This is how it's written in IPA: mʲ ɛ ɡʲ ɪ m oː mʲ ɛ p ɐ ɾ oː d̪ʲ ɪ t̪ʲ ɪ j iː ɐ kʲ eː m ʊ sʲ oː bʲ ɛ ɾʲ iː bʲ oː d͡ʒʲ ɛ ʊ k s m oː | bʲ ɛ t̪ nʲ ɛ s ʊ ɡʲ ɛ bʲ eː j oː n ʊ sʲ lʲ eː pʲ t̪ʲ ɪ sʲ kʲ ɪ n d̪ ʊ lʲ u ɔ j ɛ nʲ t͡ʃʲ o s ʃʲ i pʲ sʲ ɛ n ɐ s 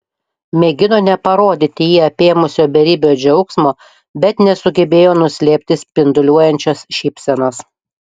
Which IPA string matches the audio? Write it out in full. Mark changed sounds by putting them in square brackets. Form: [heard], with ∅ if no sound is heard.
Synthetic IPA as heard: mʲ ɛ ɡʲ ɪ [n] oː [nʲ] ɛ p ɐ ɾ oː d̪ʲ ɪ t̪ʲ ɪ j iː ɐ [pʲ] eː m ʊ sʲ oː bʲ ɛ ɾʲ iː bʲ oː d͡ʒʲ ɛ ʊ k s m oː | bʲ ɛ t̪ nʲ ɛ s ʊ ɡʲ ɛ bʲ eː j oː n ʊ sʲ lʲ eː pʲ t̪ʲ ɪ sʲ [pʲ] ɪ n d̪ ʊ lʲ u ɔ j ɛ nʲ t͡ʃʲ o s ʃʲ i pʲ sʲ ɛ n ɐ s